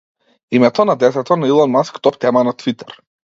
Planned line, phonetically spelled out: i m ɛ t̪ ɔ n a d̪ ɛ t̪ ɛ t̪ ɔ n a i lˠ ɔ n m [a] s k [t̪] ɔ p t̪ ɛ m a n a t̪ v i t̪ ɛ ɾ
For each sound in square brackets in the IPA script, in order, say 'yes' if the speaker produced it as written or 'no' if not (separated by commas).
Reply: yes, yes